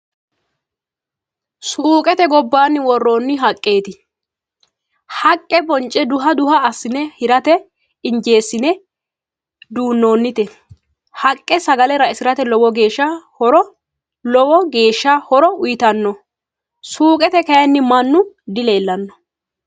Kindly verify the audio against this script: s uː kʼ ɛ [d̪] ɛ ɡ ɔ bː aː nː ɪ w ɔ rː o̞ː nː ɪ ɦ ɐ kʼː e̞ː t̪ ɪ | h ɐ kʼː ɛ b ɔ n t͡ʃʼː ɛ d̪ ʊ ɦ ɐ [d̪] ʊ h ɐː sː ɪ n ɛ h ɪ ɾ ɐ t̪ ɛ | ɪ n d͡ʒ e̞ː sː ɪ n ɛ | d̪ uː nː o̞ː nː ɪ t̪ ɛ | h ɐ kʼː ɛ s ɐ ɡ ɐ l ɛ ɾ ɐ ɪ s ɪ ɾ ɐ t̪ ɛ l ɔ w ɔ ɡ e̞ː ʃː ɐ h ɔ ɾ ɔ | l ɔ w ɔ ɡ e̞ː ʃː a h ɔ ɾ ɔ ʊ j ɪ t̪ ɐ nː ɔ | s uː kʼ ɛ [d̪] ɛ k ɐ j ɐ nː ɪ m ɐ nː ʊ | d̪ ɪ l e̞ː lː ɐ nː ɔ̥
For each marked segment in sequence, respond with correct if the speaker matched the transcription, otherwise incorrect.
incorrect: t̪, correct, incorrect: t̪

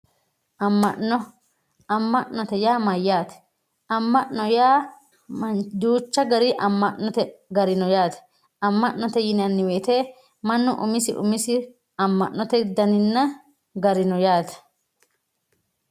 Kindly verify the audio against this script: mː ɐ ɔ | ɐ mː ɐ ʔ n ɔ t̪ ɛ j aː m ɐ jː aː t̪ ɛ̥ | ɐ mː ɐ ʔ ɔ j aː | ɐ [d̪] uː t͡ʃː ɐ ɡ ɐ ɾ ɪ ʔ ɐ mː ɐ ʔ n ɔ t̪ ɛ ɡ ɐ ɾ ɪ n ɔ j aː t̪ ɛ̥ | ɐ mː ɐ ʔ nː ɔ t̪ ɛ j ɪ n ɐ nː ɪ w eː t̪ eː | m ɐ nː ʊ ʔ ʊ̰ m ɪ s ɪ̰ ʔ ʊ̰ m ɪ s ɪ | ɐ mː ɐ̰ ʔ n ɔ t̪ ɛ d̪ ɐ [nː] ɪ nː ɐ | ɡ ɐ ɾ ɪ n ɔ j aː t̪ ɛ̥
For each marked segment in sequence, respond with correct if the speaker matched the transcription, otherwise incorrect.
correct, incorrect: n

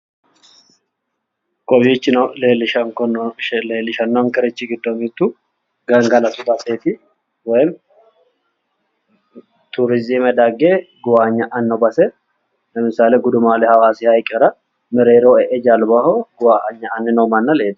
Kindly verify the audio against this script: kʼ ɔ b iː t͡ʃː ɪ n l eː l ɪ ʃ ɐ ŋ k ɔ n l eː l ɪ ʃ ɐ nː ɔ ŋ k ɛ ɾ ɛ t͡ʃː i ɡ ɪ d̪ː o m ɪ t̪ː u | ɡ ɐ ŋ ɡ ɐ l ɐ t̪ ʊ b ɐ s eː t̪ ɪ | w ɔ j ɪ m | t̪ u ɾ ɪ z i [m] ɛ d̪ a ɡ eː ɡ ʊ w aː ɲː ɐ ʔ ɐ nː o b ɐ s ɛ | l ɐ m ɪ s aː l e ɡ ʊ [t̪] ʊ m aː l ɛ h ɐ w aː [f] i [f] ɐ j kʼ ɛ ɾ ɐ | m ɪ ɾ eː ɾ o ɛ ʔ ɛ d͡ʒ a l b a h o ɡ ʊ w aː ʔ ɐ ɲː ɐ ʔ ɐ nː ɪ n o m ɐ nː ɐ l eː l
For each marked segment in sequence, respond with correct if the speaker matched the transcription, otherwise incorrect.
correct, incorrect: d̪, incorrect: s, incorrect: h

